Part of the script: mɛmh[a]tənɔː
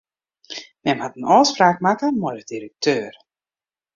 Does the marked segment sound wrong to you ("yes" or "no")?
no